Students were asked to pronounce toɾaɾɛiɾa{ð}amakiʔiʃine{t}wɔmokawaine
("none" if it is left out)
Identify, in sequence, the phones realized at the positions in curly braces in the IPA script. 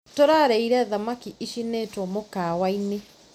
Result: ð, t

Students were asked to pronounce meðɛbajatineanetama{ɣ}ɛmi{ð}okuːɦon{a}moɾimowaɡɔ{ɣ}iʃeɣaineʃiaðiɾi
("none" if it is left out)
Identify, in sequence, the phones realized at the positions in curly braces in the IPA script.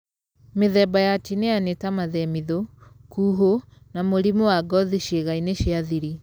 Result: ð, ð, a, ð

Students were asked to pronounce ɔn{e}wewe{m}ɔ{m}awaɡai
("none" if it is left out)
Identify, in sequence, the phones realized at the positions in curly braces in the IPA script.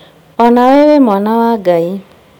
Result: a, m, n

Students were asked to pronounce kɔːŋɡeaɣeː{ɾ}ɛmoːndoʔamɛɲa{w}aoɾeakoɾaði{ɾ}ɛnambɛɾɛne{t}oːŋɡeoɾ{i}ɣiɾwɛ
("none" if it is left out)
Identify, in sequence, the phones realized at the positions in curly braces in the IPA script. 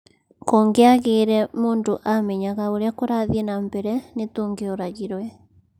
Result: ɾ, ɣ, none, t, a

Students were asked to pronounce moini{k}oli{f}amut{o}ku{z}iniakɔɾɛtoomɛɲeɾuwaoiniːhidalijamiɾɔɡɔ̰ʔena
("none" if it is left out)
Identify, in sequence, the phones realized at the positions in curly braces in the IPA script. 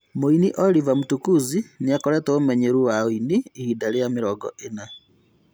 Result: ʔ, v, u, z

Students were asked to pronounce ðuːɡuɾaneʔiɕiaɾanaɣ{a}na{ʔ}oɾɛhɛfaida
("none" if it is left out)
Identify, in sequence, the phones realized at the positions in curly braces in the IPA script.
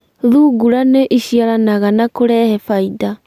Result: a, k

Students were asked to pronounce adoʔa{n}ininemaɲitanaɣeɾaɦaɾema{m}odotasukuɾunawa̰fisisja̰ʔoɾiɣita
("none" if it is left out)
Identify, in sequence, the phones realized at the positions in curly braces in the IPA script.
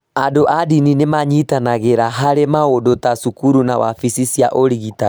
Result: d, none

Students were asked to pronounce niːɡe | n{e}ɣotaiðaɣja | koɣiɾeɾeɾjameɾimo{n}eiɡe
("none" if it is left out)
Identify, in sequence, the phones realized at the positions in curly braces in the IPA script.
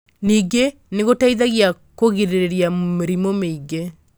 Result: e, m

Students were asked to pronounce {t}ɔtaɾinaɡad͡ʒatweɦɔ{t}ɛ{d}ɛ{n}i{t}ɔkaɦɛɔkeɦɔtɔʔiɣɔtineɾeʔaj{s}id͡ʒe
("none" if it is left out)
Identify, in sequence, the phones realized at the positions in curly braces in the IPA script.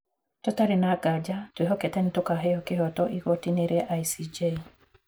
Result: t, k, t, n, t, s

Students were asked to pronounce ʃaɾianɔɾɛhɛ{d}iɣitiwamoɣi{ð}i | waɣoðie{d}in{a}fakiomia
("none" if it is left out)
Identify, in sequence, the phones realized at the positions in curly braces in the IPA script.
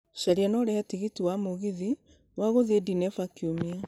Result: t, ð, d, ɛ

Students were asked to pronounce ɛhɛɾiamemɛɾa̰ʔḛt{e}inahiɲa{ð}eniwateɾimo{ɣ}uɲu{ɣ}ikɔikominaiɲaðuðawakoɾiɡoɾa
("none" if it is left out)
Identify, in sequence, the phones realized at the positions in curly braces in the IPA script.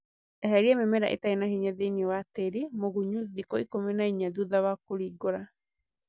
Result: a, ð, ɣ, ð

